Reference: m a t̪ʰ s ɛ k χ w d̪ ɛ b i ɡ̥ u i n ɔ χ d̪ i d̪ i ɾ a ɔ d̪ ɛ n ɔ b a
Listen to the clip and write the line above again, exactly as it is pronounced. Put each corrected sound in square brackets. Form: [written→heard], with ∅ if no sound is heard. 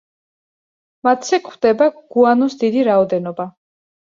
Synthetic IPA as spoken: m a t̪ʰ s ɛ k χ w d̪ ɛ b [i→a] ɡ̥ u [i→a] n ɔ [χ→s] d̪ i d̪ i ɾ a ɔ d̪ ɛ n ɔ b a